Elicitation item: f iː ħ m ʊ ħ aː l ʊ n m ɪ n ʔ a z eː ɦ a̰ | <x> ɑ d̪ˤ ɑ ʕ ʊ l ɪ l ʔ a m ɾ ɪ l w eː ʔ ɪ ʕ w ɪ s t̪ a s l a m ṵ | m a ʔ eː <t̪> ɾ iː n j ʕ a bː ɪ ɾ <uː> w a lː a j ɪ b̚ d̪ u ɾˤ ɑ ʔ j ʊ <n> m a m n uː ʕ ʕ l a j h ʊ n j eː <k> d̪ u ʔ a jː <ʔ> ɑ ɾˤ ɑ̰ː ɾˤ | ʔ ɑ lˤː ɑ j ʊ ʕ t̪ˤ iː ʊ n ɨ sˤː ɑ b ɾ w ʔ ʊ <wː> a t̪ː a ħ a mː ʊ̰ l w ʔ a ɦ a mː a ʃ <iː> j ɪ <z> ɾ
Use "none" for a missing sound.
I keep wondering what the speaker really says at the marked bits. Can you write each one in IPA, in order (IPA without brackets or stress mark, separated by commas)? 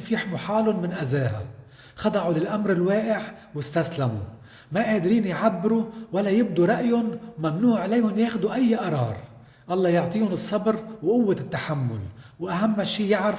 x, d̪, u, n, x, ʔ, wː, iː, ʕ